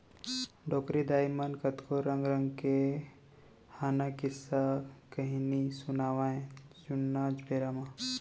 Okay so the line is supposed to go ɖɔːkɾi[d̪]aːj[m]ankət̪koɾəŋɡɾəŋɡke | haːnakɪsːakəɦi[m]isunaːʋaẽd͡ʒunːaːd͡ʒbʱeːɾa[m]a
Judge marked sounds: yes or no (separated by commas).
yes, yes, no, yes